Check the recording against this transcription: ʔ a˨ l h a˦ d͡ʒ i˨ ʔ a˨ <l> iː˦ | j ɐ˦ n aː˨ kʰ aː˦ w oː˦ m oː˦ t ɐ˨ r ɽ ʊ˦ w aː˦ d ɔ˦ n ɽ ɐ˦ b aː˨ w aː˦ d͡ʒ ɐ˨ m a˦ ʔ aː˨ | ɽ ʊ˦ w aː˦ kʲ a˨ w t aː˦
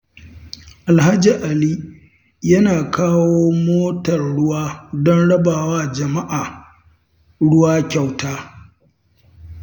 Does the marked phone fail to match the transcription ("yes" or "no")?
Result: no